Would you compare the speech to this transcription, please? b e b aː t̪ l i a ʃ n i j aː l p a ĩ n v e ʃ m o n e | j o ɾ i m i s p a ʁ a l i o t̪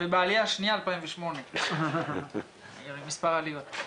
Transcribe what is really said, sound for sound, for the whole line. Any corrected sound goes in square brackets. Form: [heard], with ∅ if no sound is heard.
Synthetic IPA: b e b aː [∅] l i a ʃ n i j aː l p a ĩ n v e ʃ m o n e | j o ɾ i m i s p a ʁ a l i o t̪